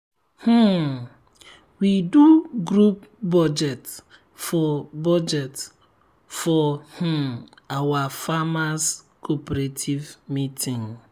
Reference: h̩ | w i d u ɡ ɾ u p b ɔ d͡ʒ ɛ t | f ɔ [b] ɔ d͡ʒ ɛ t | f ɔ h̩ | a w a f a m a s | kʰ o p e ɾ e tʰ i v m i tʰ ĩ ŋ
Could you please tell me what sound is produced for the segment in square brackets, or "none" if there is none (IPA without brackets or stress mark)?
b